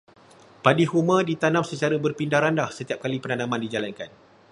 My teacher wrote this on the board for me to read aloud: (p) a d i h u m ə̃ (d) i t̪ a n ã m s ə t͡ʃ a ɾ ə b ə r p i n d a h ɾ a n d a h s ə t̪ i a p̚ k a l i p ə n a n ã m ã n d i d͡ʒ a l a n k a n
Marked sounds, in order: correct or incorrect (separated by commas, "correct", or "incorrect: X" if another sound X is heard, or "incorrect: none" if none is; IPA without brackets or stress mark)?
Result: correct, correct